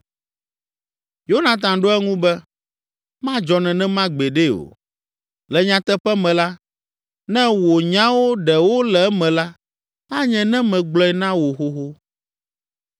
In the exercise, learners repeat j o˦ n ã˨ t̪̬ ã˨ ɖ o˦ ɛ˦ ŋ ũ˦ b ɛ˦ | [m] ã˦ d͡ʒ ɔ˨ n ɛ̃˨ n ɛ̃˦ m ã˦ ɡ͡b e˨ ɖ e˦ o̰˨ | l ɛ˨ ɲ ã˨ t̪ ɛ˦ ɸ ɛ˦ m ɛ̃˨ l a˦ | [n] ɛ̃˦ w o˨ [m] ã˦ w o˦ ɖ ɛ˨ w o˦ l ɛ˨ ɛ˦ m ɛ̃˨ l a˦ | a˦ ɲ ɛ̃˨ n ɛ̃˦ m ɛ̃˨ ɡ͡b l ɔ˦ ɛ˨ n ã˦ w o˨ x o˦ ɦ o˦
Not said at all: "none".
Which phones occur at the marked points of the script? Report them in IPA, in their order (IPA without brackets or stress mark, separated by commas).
m, n, ɲ